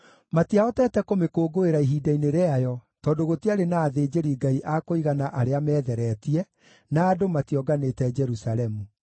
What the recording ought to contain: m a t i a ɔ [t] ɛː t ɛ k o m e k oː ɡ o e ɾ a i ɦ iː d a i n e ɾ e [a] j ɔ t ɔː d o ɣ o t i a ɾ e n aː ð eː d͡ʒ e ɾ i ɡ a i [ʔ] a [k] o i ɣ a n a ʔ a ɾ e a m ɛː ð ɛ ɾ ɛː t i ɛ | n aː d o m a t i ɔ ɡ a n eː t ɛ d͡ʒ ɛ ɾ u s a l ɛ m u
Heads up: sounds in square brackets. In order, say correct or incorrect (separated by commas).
correct, correct, correct, correct